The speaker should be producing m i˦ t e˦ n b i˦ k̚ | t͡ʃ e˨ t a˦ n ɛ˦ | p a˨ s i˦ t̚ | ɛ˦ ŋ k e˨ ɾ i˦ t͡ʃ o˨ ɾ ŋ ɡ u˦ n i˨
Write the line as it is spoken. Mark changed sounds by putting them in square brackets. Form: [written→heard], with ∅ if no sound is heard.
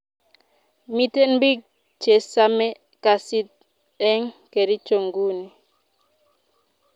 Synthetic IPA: m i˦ t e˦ n b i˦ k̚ | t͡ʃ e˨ [t→s] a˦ [n→m] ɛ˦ | [p→k] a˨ s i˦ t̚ | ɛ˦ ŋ k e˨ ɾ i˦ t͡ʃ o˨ [ɾ→∅] ŋ ɡ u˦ n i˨